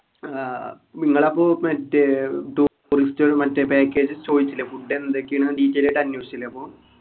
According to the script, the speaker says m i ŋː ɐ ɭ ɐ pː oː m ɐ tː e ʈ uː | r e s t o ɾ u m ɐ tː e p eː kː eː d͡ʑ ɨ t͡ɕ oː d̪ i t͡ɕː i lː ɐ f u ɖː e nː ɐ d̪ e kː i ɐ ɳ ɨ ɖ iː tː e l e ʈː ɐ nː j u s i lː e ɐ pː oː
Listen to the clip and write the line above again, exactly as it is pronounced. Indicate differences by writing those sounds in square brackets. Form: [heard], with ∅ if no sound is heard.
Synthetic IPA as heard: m i ŋː ɐ ɭ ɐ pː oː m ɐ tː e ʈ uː | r [i] s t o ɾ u m ɐ tː e p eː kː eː d͡ʑ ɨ t͡ɕ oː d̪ i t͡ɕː i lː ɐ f u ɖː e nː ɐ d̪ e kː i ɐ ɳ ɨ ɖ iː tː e l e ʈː ɐ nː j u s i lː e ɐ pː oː